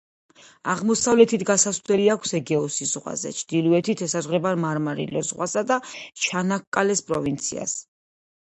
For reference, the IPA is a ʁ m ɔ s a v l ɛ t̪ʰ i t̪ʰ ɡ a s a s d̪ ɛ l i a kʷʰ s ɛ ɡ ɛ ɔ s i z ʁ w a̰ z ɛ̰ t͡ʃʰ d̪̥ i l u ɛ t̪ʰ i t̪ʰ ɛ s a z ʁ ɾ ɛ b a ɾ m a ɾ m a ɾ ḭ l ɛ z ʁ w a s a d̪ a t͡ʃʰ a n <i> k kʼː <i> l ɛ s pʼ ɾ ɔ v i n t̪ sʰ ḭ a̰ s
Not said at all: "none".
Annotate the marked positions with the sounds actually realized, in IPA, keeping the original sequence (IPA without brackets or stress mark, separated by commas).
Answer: a, a